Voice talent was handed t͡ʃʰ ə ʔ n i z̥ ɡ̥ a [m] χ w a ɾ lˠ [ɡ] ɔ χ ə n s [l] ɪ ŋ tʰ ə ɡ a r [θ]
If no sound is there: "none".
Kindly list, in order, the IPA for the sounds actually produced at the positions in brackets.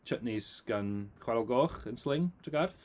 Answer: n, ɡ, l, θ

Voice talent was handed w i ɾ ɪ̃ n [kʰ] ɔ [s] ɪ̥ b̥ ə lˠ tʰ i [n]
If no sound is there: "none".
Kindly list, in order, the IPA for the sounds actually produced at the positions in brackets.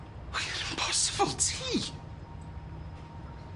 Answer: pʰ, s, none

